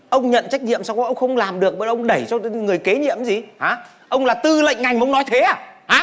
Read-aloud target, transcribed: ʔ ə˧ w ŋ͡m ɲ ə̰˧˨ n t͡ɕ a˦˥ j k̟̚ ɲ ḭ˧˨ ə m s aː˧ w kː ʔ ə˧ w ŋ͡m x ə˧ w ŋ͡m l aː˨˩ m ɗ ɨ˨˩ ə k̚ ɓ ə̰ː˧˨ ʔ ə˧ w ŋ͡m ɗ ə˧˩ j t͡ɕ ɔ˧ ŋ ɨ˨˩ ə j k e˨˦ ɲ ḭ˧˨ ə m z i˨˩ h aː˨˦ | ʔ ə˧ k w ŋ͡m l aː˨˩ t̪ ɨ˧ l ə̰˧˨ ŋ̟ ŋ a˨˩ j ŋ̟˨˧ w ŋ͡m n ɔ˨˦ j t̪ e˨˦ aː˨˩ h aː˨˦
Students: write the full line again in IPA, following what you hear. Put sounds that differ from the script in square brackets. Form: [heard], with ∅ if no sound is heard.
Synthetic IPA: ʔ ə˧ w ŋ͡m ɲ ə̰˧˨ n t͡ɕ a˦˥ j k̟̚ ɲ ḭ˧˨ ə m s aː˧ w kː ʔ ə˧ w ŋ͡m x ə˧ w ŋ͡m l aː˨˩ m ɗ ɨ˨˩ ə k̚ ɓ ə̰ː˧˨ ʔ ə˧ w ŋ͡m ɗ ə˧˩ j t͡ɕ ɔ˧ ŋ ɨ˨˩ ə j k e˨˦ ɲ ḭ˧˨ ə m z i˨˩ h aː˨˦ | ʔ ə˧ [∅] w ŋ͡m l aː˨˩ t̪ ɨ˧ l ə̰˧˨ ŋ̟ ŋ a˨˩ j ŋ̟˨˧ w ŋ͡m n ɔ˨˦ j [t̪ʰ] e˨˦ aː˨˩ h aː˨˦